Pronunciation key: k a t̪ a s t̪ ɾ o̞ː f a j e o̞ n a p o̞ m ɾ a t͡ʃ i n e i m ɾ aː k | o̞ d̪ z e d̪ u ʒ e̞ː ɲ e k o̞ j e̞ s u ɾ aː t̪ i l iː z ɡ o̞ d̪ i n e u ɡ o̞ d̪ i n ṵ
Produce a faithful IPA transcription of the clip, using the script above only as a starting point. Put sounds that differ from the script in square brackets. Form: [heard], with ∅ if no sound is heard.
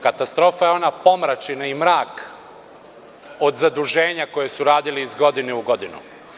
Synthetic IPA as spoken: k a t̪ a s t̪ ɾ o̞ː f a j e o̞ n a p o̞ m ɾ a t͡ʃ i n [a] i m ɾ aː k | o̞ d̪ z [a] d̪ u ʒ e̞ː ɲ [a] k o̞ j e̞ s u ɾ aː [d̪] i l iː z ɡ o̞ d̪ i n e u ɡ o̞ d̪ i n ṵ